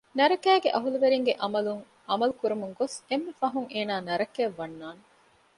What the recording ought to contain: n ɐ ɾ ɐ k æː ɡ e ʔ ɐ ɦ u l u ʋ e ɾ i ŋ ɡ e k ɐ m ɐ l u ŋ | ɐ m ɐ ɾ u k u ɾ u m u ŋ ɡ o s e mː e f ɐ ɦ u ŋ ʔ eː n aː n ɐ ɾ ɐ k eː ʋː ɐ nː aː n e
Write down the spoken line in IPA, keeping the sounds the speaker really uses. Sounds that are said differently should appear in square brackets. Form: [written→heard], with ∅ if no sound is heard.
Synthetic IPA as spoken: n ɐ ɾ ɐ k æː ɡ e ʔ ɐ ɦ u l u ʋ e ɾ i ŋ ɡ e [k→ʔ] ɐ m ɐ l u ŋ | ɐ m ɐ [ɾ→l] u k u ɾ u m u ŋ ɡ o s e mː e f ɐ ɦ u ŋ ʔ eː n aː n ɐ ɾ ɐ k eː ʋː ɐ nː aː n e